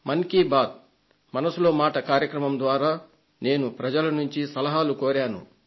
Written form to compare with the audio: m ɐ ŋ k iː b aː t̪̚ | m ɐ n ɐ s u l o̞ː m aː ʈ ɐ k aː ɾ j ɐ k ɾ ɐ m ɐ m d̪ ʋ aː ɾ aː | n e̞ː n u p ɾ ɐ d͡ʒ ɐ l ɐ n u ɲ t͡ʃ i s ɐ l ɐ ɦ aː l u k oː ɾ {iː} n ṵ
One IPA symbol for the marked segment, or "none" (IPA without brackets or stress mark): aː